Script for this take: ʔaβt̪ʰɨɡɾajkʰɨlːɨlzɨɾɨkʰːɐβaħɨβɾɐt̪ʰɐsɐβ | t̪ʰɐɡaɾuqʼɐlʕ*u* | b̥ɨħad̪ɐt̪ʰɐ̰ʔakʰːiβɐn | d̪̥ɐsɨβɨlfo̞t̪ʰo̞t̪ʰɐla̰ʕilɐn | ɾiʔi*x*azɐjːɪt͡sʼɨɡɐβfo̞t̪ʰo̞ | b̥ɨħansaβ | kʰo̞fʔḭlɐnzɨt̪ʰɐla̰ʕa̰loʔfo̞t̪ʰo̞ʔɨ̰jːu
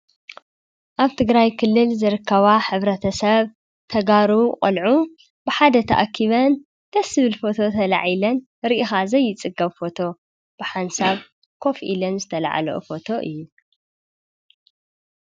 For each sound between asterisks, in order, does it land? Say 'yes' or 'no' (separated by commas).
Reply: yes, yes